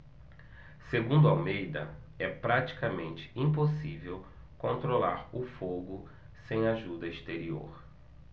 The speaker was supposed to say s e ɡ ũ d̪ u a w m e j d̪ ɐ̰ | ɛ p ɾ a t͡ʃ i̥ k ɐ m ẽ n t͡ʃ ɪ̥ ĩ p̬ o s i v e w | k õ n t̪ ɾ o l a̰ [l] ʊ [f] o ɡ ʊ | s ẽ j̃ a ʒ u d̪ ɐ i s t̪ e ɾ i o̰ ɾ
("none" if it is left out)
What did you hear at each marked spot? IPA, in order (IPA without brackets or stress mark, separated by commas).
ɾ, f